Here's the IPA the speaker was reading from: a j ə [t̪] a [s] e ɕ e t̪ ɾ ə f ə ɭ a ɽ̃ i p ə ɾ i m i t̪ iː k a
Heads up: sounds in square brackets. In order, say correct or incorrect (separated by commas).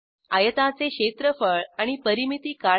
correct, incorrect